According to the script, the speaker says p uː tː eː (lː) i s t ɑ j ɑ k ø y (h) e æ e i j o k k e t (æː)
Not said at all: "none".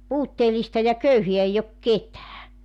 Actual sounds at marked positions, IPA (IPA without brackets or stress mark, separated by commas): l, h, æː